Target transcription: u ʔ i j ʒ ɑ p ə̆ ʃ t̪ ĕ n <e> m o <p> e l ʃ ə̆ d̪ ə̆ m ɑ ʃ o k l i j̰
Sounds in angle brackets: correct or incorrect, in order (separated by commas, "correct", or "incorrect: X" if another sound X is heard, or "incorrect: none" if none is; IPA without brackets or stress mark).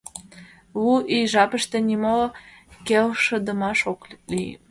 incorrect: i, incorrect: k